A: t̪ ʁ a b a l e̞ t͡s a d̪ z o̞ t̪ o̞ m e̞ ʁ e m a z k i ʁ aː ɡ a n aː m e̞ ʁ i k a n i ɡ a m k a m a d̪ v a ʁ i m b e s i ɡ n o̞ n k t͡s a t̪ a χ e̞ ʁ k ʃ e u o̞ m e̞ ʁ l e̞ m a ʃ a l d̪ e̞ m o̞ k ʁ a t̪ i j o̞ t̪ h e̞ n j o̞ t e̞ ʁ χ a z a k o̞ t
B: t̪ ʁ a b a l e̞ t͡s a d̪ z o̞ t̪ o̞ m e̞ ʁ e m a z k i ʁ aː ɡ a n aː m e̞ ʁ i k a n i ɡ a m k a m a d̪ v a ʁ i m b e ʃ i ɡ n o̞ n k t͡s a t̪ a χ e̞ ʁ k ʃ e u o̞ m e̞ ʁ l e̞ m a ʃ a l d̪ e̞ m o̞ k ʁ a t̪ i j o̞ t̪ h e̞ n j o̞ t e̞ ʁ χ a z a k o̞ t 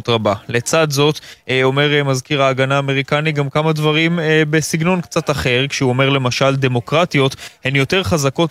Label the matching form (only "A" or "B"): A